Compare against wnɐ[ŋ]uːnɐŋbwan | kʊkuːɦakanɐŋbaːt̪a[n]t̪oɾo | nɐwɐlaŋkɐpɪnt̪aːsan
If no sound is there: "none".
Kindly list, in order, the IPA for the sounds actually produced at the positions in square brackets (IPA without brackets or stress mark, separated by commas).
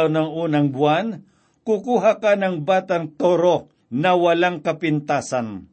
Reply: ŋ, ŋ